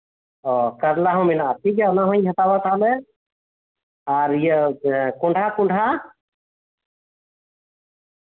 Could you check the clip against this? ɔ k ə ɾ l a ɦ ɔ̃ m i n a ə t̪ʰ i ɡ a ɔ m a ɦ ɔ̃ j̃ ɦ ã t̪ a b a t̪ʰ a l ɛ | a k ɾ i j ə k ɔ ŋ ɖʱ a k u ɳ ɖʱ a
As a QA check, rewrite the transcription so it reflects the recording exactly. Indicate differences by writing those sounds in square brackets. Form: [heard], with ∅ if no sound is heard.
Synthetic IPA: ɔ k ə ɾ l a ɦ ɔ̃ m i n a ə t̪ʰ i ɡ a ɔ [n] a ɦ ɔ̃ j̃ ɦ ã t̪ a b a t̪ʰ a l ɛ | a [∅] ɾ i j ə k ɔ [ɳ] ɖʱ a k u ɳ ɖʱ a